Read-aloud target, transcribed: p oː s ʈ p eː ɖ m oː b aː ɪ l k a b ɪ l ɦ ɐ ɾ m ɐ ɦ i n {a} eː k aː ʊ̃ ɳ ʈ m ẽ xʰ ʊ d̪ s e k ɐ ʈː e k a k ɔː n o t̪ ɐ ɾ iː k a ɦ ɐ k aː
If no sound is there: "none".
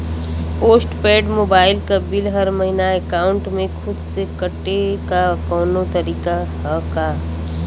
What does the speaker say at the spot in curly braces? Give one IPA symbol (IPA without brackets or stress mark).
a